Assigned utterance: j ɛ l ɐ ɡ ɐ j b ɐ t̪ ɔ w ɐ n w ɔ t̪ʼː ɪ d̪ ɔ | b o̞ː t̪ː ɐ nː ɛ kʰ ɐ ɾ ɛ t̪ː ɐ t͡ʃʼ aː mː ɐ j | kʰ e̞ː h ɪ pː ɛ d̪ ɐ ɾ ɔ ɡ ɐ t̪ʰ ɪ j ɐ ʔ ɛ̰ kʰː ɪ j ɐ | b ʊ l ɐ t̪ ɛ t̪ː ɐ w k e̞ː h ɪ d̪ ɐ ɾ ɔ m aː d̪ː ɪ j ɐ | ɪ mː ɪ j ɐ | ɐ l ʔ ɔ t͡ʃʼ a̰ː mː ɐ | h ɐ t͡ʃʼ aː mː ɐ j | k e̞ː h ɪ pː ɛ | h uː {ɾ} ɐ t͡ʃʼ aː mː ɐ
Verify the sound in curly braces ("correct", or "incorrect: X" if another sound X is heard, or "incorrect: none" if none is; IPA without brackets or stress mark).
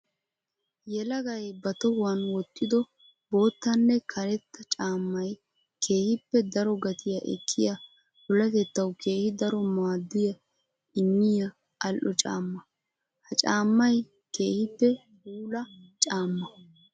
incorrect: l